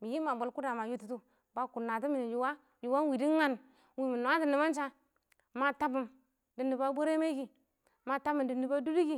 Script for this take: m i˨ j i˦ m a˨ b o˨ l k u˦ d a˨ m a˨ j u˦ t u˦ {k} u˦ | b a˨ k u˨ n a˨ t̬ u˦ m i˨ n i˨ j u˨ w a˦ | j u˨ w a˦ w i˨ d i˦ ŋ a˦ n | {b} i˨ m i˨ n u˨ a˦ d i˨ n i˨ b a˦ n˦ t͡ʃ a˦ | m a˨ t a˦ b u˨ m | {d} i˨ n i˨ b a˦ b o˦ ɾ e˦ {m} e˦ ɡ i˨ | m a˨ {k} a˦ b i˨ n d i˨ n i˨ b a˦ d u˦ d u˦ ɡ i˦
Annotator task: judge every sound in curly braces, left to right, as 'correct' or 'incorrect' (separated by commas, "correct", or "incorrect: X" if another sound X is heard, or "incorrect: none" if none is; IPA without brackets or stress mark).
incorrect: t, incorrect: w, correct, correct, incorrect: t